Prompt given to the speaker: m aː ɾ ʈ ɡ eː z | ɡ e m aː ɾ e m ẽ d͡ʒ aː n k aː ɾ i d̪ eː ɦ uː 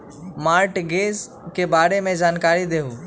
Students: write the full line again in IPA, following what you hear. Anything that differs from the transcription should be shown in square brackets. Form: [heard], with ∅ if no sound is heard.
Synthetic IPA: m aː ɾ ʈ ɡ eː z | [k] e [b] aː ɾ e m ẽ d͡ʒ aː n k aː ɾ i d̪ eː ɦ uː